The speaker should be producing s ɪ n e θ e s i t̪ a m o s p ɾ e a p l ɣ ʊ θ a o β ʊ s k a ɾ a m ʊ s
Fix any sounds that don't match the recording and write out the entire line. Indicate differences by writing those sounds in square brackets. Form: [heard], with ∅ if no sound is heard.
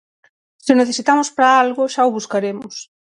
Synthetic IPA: s ɪ n e θ e s i t̪ a m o s p ɾ [a] a [∅] l ɣ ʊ [ʃ] a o β [u] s k a ɾ [e] m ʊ s